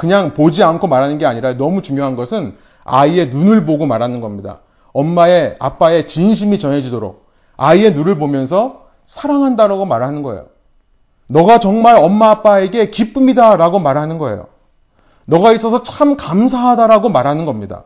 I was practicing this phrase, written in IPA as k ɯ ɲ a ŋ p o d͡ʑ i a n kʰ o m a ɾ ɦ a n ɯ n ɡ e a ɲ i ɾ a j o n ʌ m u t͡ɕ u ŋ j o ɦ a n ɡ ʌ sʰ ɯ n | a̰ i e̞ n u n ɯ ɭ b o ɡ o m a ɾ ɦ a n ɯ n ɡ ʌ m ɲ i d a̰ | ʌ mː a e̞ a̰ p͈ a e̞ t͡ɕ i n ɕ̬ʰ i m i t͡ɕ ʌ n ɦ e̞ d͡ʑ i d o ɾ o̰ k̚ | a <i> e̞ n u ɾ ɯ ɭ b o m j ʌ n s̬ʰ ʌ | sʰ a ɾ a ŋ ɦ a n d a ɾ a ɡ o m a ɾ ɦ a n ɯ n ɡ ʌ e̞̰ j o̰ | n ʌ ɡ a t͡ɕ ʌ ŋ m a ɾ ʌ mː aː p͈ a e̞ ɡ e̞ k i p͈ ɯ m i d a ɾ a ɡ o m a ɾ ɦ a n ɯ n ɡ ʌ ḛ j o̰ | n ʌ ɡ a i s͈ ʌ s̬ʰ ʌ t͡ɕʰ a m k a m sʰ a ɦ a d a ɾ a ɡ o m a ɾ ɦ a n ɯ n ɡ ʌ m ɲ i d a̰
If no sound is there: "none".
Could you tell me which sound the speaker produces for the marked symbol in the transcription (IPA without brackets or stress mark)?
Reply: i